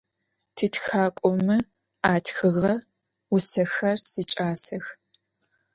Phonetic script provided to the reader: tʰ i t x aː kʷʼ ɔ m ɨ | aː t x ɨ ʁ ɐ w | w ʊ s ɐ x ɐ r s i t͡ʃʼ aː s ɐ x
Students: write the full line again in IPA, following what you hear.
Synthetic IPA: tʰ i t x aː kʷʼ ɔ m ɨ | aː t x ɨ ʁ ɐ | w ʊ s ɐ x ɐ r s i t͡ʃʼ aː s ɐ x